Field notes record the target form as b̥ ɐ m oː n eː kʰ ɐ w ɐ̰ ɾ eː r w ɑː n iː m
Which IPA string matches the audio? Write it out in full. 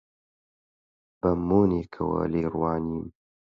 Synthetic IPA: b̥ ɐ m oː n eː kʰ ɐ w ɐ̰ l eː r w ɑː n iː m